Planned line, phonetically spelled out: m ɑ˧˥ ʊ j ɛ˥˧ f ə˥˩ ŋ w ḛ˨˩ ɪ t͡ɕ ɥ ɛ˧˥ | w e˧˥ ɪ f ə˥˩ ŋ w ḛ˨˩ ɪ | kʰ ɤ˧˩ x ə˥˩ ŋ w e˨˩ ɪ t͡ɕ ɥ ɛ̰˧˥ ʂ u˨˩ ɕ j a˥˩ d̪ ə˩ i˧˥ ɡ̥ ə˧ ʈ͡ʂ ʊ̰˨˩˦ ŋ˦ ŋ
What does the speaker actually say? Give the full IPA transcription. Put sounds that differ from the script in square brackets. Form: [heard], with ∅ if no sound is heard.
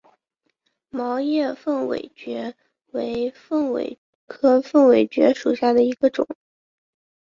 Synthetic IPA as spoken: m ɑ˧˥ ʊ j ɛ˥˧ f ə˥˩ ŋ w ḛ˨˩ ɪ t͡ɕ ɥ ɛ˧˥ | w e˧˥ ɪ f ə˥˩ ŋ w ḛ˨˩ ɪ | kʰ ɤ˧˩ [f] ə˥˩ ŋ w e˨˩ ɪ t͡ɕ ɥ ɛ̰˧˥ ʂ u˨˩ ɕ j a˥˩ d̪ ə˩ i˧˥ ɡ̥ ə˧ ʈ͡ʂ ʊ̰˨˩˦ ŋ˦ ŋ